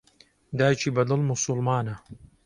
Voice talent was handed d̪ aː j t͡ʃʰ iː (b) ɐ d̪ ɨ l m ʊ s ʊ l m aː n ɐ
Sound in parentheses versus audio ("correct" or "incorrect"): correct